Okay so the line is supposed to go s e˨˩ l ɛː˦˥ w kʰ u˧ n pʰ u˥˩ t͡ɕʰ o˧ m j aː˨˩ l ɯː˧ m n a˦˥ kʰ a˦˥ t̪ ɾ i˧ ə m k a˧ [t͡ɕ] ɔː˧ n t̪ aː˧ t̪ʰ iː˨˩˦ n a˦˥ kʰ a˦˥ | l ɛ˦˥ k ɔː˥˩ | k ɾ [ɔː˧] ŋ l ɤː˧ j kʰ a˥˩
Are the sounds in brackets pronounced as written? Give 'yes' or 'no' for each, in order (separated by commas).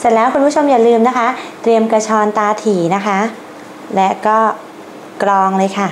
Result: no, yes